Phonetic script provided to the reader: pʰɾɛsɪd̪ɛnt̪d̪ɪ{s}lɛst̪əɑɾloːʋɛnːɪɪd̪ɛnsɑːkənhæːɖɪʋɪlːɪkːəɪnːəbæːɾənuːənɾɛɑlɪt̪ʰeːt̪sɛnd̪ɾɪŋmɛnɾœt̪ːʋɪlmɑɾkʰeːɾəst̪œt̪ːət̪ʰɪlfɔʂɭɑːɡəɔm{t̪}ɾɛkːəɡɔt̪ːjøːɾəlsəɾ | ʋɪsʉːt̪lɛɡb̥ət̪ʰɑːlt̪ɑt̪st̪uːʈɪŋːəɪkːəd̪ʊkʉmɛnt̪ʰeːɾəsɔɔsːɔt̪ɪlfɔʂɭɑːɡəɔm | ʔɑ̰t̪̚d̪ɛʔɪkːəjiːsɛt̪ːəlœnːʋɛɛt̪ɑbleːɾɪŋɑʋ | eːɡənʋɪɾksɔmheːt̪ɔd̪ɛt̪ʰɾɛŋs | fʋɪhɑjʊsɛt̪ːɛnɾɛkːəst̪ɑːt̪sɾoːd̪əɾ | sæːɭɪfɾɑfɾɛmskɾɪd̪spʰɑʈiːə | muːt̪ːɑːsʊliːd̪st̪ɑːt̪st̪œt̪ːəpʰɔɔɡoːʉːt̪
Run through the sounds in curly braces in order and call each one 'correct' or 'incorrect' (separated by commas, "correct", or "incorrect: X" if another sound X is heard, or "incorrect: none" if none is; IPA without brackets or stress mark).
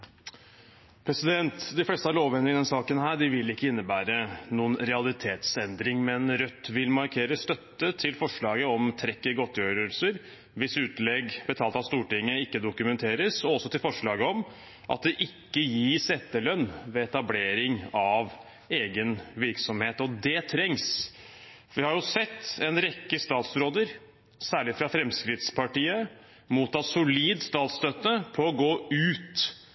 incorrect: f, incorrect: t̪ʰ